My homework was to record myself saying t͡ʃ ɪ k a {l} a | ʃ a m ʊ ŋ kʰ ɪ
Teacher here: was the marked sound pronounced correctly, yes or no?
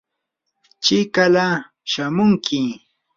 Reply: yes